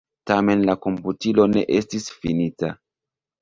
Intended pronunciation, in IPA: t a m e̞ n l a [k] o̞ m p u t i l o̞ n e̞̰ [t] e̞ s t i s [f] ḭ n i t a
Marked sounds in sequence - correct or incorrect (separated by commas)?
correct, incorrect, correct